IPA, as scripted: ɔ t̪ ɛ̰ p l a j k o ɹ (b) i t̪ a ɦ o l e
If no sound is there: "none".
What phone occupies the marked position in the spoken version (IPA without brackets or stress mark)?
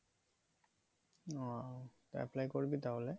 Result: b